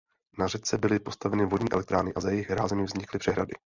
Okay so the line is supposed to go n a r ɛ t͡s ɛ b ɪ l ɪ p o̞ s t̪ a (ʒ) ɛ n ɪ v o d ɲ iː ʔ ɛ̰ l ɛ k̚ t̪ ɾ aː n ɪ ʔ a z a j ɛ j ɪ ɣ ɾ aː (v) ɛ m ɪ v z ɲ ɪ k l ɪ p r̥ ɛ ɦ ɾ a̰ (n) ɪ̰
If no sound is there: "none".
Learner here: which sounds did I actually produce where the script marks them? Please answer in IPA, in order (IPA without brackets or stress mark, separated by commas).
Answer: v, z, d